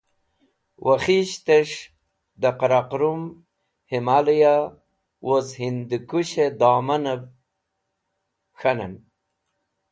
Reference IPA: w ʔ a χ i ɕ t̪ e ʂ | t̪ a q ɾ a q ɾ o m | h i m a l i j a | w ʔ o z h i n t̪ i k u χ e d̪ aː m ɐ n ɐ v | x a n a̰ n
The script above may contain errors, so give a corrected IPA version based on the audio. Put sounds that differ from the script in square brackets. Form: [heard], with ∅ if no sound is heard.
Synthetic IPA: w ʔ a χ i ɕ t̪ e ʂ | [d̪] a q ɾ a q ɾ [u] m | h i m a l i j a | w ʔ o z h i n [d̪] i k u [ɕ] e d̪ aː m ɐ n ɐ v | x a n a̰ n